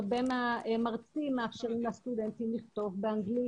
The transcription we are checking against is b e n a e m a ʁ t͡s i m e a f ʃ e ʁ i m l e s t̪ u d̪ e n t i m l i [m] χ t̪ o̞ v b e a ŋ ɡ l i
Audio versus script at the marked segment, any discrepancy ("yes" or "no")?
yes